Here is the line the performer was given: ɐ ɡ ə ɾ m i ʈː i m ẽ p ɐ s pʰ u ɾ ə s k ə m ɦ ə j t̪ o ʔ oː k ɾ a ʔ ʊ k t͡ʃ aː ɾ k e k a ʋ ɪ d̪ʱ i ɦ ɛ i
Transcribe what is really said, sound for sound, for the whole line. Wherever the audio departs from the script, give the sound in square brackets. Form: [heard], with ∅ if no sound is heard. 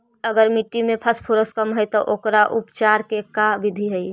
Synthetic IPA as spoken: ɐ ɡ ə ɾ m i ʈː i m ẽ [pʰ] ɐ s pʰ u ɾ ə s k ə m ɦ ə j t̪ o ʔ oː k ɾ a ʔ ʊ [p] t͡ʃ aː ɾ k e k a ʋ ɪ d̪ʱ i ɦ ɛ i